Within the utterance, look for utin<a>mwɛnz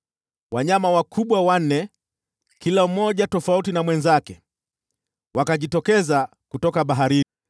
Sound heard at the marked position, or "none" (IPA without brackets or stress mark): a